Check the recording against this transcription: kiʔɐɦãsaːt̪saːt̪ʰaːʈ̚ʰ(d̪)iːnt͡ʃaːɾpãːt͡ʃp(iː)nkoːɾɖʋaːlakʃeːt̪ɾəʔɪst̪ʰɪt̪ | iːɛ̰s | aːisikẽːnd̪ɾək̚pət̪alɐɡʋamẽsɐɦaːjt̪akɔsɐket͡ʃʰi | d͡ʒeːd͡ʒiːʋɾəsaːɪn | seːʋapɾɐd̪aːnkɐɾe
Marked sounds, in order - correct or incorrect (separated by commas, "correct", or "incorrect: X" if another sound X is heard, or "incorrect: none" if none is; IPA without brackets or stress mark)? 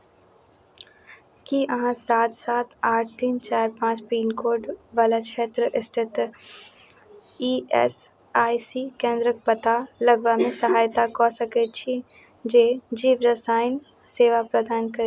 incorrect: t̪, correct